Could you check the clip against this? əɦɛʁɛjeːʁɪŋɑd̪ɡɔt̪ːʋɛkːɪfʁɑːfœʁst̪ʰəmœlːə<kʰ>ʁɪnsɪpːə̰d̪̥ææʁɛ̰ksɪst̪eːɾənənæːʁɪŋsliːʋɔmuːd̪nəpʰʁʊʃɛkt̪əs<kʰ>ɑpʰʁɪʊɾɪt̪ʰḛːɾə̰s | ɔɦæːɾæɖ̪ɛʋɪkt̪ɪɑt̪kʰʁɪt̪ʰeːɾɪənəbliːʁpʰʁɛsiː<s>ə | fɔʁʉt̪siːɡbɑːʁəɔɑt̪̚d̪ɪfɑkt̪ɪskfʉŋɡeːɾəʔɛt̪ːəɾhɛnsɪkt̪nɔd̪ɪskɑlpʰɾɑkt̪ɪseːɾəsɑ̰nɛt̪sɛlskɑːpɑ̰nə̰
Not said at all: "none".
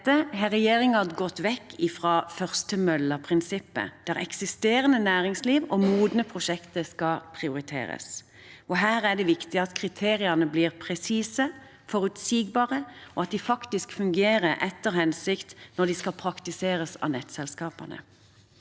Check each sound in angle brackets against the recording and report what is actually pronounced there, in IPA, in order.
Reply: pʰ, k, s

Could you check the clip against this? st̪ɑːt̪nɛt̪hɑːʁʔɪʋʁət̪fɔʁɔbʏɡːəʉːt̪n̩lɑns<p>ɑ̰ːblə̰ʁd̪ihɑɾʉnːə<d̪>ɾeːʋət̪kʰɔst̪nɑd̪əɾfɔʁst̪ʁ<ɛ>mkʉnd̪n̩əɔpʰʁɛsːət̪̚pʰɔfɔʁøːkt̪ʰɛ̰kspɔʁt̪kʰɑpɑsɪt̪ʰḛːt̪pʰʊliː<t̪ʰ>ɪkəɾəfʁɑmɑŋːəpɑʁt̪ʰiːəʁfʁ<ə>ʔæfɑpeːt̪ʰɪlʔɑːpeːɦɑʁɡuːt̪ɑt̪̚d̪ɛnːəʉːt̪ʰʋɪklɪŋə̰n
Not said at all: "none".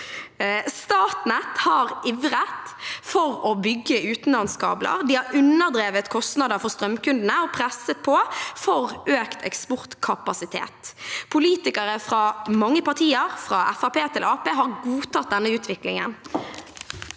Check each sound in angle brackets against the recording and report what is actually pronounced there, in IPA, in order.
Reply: k, d̪, œ, t̪, ɑ

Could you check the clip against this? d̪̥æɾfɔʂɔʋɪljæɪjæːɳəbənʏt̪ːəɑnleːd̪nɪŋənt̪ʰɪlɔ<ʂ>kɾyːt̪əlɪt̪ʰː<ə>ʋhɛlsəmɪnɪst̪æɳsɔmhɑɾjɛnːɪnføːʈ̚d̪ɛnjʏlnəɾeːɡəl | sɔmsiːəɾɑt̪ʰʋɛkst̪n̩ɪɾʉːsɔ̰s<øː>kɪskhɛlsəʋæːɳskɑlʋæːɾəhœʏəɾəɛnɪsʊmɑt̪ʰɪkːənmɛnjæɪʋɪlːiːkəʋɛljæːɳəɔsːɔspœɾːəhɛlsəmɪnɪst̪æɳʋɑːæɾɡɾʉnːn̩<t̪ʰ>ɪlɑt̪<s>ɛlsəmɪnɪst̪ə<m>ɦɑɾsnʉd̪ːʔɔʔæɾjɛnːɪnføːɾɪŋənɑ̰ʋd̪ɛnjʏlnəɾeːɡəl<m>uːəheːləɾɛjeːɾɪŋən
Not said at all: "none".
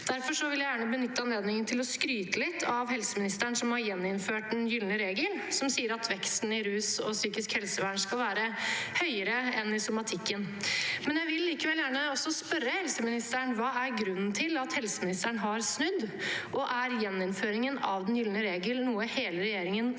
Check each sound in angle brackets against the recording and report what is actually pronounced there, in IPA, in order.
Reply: s, ɑ, yː, t̪ʰ, h, ɳ, n

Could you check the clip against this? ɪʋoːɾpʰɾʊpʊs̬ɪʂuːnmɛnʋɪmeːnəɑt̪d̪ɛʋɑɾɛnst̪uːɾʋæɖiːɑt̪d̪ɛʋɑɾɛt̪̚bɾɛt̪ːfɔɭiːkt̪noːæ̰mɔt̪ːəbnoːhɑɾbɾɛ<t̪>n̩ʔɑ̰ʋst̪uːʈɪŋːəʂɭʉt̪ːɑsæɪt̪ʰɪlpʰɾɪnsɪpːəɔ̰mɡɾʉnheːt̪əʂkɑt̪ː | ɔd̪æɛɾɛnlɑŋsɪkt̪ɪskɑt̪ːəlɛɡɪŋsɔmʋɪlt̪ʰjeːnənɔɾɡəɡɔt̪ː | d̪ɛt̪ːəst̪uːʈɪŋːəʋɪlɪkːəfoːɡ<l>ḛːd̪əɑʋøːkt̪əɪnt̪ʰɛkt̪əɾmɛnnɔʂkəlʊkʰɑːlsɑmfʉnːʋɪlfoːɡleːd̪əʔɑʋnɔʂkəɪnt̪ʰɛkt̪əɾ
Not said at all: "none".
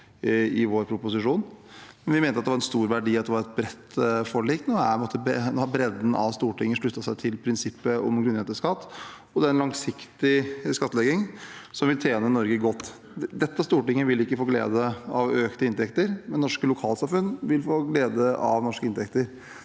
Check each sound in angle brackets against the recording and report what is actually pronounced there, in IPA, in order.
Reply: d̪, l

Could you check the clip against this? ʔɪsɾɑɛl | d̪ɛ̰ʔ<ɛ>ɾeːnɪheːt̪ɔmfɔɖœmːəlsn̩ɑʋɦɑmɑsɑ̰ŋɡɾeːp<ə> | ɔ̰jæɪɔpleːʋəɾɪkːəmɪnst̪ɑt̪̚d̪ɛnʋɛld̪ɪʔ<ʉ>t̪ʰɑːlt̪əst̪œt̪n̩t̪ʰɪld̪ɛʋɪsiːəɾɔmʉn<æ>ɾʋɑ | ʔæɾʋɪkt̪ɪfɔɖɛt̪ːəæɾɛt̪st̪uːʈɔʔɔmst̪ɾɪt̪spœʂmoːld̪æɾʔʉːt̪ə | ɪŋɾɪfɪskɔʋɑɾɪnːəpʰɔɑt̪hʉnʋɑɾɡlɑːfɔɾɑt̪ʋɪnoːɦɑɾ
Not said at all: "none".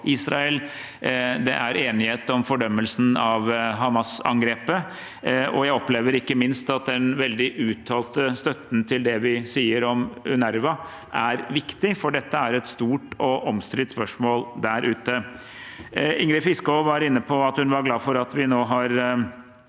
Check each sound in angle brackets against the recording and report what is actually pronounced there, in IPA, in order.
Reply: æ, ə, ʉː, æ

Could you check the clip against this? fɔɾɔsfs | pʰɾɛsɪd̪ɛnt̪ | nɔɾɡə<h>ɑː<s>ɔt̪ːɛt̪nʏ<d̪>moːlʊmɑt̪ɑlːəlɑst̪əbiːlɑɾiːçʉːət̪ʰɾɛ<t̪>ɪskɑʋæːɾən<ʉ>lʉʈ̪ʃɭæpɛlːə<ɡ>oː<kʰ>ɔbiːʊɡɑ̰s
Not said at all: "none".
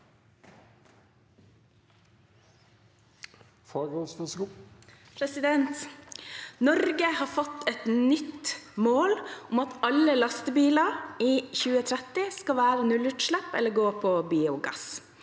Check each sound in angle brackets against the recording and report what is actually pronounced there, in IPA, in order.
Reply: h, f, t̪, t̪, ʉ, ɡ, pʰ

